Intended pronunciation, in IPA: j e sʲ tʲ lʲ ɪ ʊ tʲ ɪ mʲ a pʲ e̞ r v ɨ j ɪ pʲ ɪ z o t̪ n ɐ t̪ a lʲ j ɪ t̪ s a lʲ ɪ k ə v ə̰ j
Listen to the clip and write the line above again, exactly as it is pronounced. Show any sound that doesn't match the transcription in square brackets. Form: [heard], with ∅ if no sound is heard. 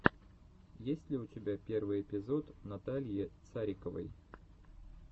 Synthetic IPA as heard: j e sʲ tʲ lʲ ɪ ʊ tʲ ɪ [bʲ] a pʲ e̞ r v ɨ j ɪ pʲ ɪ z o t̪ n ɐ t̪ a lʲ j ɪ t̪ s a [ɾʲ] ɪ k ə v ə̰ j